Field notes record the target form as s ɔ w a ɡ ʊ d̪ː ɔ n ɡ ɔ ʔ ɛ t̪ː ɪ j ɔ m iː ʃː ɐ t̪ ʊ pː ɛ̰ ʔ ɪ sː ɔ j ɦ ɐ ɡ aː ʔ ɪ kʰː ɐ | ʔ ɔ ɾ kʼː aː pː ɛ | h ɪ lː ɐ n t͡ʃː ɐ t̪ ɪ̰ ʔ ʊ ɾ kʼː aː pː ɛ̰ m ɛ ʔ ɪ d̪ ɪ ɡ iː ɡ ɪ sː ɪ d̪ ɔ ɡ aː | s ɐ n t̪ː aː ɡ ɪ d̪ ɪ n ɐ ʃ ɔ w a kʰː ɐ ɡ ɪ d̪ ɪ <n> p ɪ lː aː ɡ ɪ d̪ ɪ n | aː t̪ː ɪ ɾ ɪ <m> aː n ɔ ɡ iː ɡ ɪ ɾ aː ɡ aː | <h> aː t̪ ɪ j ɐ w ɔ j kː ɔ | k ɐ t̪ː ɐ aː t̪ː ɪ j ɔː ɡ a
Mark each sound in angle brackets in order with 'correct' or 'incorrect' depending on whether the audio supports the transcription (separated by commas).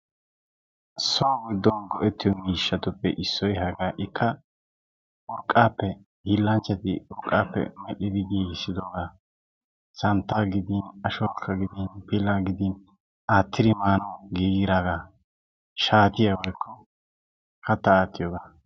correct, correct, incorrect